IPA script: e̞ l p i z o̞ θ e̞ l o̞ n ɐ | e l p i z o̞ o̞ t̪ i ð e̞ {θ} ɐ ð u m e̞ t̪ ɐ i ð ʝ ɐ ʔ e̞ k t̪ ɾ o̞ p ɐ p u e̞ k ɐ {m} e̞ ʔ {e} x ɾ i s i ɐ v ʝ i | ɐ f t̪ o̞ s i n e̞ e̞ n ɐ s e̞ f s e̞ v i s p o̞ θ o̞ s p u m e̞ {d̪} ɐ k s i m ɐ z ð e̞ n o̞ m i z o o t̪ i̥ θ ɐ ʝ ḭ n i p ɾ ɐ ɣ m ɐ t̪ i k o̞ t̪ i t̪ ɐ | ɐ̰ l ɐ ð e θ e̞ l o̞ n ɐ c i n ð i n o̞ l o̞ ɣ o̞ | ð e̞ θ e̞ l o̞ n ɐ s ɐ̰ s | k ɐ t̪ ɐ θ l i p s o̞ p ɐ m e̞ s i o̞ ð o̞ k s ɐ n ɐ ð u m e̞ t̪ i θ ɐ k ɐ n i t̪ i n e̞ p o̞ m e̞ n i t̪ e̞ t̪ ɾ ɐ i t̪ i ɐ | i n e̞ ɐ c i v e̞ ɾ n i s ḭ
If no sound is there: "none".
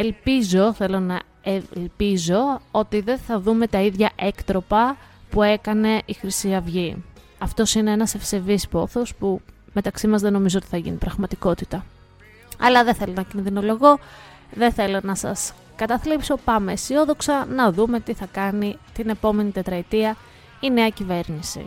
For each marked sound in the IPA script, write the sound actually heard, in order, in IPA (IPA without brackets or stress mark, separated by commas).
θ, n, i, t̪